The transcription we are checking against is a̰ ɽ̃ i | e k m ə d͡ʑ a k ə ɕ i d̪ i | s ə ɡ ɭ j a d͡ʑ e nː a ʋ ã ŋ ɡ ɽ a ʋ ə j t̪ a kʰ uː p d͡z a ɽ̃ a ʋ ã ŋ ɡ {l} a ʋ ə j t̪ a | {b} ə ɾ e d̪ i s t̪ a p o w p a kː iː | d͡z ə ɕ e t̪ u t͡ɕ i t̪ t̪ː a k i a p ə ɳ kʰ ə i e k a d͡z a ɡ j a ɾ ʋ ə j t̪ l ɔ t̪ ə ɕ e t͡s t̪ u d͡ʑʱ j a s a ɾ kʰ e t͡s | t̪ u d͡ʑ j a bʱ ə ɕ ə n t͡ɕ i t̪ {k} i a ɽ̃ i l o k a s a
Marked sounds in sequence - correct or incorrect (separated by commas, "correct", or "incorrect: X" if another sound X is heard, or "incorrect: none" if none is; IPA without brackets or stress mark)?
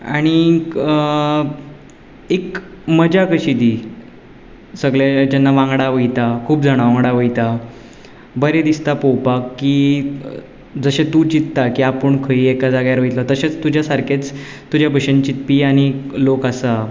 incorrect: ɽ, correct, incorrect: p